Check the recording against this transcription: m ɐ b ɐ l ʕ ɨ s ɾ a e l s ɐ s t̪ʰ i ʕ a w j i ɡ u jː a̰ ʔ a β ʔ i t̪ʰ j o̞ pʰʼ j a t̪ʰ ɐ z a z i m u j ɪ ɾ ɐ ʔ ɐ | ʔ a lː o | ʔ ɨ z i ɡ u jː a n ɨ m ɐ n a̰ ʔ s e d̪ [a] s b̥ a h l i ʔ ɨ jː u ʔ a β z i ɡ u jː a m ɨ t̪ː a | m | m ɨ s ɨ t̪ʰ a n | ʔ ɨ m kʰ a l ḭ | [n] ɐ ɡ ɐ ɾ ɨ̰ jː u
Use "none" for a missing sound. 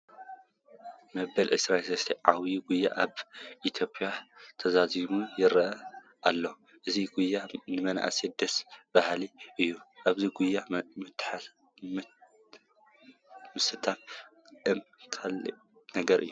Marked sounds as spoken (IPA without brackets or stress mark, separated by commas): ɐ, n